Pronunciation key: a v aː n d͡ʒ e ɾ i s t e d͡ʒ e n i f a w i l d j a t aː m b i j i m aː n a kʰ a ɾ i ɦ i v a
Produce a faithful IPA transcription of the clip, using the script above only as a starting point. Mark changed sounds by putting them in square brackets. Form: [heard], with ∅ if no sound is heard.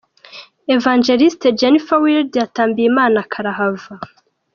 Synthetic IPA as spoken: [e] v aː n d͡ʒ e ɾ i s t e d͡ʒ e n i f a w i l d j a t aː m b i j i m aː n a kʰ a ɾ [a] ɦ [a] v a